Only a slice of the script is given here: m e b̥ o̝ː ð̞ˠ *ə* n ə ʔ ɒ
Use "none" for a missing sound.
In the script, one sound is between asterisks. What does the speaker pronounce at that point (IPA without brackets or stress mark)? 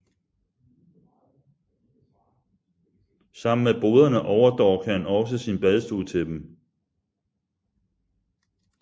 ɐ